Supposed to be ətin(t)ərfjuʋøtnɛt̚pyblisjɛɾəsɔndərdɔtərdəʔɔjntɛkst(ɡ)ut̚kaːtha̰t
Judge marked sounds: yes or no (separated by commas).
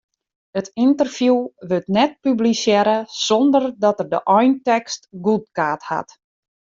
yes, yes